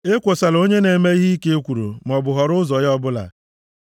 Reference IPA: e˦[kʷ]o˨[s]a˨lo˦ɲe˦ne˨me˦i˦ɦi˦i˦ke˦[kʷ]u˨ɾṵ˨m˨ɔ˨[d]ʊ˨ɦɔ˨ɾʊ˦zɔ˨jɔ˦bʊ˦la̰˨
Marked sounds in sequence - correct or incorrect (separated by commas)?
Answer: correct, correct, correct, incorrect